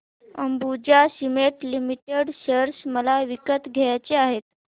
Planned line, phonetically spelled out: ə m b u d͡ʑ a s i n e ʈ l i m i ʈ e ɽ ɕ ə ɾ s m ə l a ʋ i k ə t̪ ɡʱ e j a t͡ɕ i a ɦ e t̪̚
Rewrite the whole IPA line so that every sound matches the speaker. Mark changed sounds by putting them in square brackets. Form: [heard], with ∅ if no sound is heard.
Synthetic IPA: ə m b u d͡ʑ a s i [m] e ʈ l i m i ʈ e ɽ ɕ ə ɾ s m ə l a ʋ i k ə t̪ ɡʱ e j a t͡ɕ [e] a ɦ e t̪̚